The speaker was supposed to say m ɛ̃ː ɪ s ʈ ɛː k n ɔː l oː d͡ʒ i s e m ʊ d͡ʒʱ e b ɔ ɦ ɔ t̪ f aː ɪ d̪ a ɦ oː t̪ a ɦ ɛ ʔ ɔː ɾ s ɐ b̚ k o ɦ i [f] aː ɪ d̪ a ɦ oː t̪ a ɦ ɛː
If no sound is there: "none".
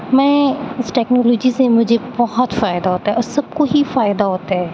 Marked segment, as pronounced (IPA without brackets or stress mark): f